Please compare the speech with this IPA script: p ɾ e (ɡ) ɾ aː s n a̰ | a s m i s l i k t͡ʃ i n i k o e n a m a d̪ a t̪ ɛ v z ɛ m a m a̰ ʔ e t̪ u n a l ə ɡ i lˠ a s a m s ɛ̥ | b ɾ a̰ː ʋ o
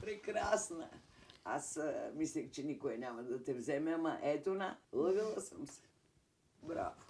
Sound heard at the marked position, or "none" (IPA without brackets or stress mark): k